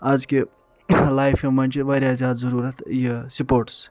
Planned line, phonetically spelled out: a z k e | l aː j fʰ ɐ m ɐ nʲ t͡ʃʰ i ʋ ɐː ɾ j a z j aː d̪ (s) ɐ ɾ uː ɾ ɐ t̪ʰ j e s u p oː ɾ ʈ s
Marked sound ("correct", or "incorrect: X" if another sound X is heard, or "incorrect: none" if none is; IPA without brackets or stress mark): incorrect: z